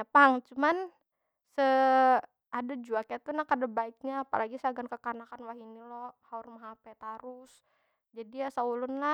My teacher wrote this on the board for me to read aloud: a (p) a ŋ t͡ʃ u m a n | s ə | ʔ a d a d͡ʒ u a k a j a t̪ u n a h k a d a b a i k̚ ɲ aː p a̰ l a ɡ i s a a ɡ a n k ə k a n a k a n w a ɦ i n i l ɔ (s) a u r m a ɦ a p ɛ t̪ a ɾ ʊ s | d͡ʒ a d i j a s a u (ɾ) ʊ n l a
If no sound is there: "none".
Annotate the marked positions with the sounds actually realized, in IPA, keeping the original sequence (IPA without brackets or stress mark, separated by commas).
p, h, l